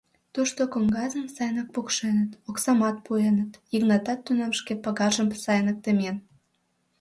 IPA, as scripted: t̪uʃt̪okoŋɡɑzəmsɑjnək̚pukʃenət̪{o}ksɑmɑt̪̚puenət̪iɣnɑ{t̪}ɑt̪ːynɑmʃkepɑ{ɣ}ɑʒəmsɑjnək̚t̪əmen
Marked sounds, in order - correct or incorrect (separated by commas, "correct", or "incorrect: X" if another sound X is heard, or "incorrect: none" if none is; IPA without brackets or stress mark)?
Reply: correct, correct, correct